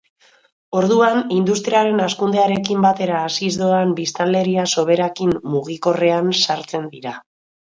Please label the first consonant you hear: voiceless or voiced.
voiced